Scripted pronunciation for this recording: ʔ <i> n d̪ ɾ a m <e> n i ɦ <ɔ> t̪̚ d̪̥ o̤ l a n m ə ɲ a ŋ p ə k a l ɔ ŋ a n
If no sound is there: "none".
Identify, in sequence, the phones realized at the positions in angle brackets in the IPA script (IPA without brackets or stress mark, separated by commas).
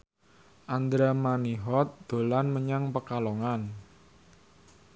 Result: a, a, ɔ